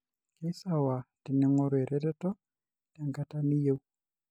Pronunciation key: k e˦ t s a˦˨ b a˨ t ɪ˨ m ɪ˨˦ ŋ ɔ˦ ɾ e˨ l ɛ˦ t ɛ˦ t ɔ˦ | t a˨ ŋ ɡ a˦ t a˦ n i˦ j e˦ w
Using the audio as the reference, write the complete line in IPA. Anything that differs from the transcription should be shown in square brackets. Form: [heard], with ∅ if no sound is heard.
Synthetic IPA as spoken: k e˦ [∅] s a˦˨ [w] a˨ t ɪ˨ [n] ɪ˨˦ ŋ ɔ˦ ɾ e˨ [ɾ] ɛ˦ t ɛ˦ t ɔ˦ | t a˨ ŋ ɡ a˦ t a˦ n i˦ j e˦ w